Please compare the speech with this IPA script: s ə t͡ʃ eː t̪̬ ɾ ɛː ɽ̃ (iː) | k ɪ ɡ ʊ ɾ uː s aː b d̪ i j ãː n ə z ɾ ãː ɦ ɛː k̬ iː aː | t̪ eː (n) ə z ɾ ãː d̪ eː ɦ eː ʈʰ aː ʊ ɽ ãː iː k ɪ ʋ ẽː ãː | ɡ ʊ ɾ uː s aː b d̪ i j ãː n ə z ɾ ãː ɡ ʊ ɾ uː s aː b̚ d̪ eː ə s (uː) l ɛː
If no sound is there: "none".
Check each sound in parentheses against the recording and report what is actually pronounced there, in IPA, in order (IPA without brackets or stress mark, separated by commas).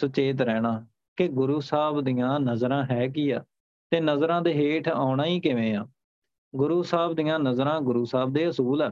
aː, n, uː